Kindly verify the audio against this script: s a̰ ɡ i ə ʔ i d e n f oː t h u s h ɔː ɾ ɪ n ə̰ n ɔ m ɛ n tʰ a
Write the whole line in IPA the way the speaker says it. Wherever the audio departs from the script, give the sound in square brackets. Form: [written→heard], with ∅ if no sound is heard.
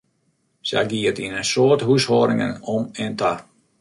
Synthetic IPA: s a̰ ɡ i ə [ʔ→t] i [d→n] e n [f→s] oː t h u s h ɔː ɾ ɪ [n→ŋ] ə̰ n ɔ m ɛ n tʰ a